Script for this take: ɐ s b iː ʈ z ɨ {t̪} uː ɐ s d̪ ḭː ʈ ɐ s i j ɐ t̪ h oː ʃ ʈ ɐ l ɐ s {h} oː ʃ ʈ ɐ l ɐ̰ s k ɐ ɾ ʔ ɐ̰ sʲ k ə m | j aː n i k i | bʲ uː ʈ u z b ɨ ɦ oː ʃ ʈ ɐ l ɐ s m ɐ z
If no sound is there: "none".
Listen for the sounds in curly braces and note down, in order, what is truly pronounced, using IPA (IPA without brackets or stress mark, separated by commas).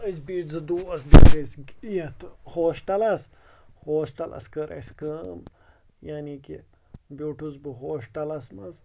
d̪, h